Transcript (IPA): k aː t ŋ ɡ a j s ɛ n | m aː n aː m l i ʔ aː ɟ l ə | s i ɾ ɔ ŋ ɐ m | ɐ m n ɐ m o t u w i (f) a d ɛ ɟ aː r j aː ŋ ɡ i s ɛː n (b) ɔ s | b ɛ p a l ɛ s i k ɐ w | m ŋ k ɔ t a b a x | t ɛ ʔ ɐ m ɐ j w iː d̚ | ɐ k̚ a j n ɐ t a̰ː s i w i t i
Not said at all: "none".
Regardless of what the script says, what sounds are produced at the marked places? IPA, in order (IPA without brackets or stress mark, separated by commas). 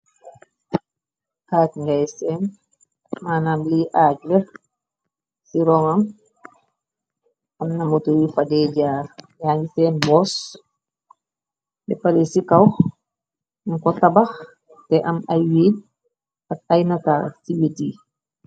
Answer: f, b